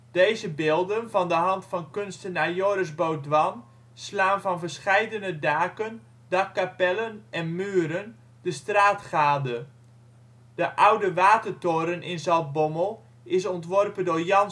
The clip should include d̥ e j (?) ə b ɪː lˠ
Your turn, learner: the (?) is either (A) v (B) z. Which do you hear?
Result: B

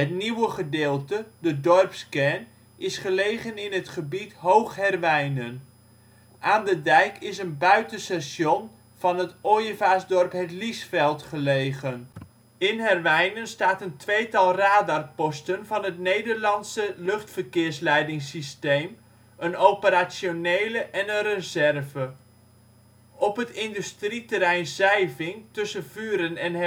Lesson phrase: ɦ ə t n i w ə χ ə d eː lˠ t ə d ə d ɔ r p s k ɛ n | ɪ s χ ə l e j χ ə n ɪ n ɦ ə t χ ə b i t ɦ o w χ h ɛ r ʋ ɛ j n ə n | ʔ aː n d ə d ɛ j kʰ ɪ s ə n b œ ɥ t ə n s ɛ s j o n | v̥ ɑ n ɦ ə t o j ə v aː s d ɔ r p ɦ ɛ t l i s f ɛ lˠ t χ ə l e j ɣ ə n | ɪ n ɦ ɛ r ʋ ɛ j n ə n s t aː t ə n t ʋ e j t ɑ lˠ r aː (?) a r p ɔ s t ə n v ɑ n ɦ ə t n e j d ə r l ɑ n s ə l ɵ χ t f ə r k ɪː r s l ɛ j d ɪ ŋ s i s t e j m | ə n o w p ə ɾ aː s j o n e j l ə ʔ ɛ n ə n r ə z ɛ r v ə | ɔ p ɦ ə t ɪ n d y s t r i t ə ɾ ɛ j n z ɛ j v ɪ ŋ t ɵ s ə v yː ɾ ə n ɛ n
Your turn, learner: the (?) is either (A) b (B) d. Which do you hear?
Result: B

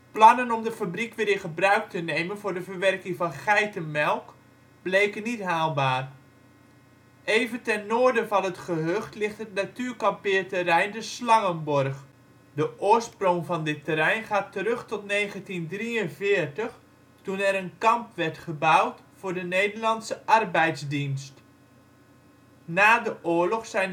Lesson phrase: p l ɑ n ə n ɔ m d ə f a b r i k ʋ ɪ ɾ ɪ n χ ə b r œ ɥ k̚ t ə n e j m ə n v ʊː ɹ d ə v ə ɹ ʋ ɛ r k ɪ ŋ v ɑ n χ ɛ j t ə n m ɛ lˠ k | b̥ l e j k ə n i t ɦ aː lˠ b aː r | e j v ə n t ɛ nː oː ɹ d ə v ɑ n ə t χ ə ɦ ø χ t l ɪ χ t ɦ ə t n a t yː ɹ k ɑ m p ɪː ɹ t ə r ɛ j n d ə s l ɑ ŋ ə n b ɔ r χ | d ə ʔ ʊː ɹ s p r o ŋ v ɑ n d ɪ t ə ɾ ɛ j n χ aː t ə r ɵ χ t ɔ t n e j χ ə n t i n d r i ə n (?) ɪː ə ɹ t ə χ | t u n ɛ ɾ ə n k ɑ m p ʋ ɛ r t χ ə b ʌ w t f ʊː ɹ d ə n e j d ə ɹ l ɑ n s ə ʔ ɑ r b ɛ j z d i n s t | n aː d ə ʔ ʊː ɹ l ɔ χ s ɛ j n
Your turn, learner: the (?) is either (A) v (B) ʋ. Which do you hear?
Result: A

